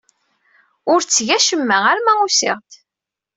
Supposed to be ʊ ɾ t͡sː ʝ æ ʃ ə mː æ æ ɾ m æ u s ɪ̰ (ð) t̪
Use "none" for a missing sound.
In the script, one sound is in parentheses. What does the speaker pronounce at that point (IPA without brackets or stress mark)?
ʁ